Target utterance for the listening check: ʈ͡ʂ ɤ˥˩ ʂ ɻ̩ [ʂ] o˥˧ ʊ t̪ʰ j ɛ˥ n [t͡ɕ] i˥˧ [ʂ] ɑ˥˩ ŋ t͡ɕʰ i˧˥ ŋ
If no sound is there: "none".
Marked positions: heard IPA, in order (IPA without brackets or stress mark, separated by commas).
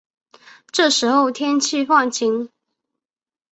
x, t͡ɕʰ, f